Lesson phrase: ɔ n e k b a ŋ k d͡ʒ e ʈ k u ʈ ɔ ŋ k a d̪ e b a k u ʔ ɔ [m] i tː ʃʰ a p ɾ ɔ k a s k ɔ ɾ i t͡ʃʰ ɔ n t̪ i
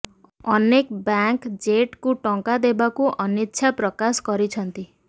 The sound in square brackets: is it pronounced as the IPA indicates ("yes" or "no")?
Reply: no